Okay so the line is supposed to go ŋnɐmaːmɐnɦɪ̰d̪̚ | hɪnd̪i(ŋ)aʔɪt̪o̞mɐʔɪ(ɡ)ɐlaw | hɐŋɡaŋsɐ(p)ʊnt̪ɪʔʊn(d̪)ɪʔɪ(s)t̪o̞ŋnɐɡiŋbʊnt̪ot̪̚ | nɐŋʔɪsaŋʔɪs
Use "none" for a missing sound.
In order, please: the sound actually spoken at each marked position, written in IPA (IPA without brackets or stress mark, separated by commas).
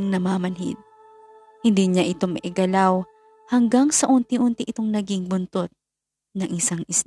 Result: ɲ, ɡ, ʔ, t̪, none